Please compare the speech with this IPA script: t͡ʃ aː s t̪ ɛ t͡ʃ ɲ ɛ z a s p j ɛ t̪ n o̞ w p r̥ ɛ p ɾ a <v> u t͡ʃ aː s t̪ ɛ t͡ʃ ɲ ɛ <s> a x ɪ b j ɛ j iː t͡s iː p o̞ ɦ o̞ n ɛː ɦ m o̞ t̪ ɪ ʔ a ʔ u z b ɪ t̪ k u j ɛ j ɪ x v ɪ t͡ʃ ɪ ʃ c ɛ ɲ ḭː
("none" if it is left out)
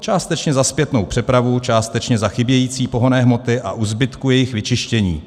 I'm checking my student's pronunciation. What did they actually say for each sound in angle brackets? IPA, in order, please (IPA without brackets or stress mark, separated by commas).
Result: v, z